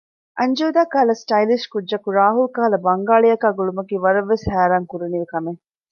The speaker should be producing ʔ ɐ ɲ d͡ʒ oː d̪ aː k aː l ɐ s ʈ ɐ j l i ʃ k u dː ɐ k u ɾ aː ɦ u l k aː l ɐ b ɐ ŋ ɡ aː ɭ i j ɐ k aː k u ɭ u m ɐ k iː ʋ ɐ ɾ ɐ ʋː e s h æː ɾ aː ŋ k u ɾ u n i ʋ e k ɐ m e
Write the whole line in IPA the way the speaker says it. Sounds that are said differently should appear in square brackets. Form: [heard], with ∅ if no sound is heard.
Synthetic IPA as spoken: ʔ ɐ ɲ d͡ʒ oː d̪ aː k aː l ɐ s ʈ ɐ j l i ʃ k u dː ɐ k u ɾ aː ɦ u l k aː l ɐ b ɐ ŋ ɡ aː ɭ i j ɐ k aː [ɡ] u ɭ u m ɐ k iː ʋ ɐ ɾ ɐ ʋː e s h æː ɾ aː ŋ k u ɾ u n i ʋ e k ɐ m e